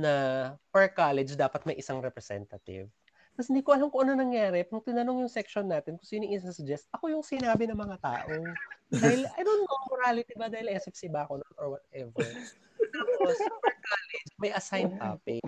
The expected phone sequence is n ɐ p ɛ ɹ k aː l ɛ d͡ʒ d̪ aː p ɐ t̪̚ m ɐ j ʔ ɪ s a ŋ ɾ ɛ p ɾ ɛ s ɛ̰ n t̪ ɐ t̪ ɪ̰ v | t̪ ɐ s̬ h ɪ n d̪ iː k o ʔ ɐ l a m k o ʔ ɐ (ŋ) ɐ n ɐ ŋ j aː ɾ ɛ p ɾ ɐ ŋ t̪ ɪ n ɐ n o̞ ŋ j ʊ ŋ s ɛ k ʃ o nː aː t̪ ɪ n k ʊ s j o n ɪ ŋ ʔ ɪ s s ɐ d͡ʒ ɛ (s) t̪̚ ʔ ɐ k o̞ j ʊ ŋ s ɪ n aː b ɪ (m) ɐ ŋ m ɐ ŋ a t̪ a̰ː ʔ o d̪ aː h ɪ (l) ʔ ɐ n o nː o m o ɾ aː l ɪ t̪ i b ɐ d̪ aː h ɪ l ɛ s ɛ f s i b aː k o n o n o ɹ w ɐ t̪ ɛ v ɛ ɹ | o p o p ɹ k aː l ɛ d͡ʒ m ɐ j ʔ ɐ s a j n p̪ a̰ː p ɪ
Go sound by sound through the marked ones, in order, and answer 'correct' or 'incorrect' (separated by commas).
incorrect, correct, incorrect, correct